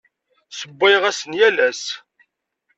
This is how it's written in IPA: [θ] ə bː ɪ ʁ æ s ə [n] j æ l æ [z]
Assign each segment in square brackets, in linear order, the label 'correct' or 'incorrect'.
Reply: incorrect, correct, incorrect

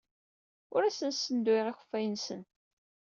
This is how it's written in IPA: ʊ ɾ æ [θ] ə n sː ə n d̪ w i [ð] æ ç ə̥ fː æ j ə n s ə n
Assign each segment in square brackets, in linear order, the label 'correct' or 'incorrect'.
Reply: incorrect, incorrect

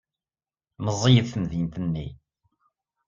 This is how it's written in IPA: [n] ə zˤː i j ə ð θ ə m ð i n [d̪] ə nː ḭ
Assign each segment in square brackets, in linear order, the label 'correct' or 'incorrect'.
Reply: incorrect, incorrect

